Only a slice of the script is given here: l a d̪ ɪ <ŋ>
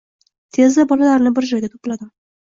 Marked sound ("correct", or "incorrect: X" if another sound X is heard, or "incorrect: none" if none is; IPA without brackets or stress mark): incorrect: m